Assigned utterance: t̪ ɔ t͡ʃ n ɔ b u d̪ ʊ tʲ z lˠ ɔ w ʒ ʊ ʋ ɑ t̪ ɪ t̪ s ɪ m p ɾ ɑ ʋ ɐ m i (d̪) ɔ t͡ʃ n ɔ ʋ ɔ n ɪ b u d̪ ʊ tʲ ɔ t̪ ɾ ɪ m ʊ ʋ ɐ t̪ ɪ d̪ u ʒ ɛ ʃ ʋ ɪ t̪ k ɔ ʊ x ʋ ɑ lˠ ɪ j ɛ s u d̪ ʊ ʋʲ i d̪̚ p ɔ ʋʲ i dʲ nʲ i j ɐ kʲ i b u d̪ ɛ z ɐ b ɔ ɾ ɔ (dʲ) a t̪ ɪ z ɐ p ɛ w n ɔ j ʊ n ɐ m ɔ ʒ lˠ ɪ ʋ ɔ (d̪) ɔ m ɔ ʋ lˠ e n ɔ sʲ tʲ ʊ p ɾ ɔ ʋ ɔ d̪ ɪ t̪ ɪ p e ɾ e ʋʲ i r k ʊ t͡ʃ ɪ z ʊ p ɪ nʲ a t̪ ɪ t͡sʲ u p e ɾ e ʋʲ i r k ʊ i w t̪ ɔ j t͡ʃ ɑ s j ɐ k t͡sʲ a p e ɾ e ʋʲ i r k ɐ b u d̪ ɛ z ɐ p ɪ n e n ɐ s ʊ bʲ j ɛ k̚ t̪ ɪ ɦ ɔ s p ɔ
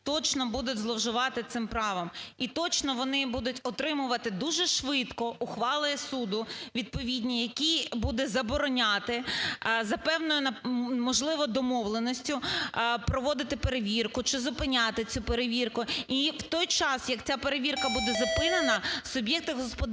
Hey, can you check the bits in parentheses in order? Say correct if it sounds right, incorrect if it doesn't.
incorrect: t̪, incorrect: nʲ, correct

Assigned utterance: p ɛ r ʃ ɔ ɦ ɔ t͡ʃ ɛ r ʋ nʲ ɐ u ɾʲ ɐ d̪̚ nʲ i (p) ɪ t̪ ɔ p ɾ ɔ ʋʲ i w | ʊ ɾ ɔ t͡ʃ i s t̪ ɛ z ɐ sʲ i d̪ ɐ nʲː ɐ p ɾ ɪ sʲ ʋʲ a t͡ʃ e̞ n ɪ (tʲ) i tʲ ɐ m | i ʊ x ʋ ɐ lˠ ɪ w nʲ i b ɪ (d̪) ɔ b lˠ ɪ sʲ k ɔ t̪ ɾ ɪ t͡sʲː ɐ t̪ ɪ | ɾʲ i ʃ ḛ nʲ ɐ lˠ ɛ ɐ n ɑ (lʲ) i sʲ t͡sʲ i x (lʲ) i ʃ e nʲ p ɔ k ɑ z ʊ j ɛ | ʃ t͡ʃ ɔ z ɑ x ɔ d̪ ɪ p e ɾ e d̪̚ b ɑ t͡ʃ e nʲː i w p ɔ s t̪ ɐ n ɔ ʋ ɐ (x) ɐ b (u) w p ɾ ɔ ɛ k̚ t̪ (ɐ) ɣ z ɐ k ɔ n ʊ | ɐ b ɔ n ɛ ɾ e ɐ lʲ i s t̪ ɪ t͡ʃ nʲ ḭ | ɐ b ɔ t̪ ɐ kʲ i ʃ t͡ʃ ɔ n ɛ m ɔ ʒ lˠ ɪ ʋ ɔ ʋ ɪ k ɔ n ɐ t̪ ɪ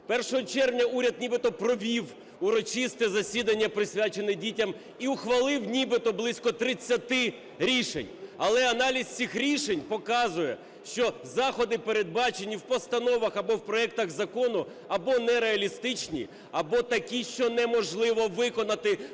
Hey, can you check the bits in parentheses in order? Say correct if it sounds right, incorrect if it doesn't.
incorrect: b, incorrect: dʲ, incorrect: t̪, correct, incorrect: ɾʲ, correct, incorrect: ɔ, correct

